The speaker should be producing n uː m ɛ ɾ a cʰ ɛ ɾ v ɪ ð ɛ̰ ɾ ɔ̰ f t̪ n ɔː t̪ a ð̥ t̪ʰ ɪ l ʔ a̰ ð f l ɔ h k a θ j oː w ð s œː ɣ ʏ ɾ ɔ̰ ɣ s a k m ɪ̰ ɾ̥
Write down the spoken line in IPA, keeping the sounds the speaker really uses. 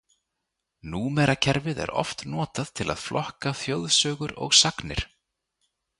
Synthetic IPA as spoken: n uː m ɛ ɾ a cʰ ɛ ɾ v ɪ ð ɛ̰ ɾ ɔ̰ f t̪ n ɔː t̪ a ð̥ t̪ʰ ɪ l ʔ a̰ ð f l ɔ h k a θ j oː w ð s œː ɣ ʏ ɾ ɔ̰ ɣ s a k n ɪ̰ ɾ̥